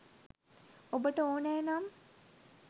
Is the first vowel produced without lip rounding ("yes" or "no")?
no